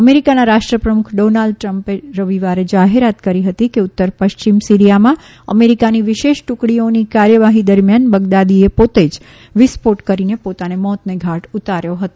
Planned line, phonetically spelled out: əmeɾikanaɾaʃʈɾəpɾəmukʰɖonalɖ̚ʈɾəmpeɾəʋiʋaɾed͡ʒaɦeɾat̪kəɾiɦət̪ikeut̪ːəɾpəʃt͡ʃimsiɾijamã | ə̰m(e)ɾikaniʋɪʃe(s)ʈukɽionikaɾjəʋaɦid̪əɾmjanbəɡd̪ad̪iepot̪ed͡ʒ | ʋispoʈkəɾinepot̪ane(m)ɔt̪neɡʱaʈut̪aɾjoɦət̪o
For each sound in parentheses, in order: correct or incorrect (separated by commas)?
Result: correct, incorrect, correct